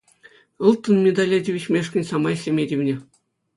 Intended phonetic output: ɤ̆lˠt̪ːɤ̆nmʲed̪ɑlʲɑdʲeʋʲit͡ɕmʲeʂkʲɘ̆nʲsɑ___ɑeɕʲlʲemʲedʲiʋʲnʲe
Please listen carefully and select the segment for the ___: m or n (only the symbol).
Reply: m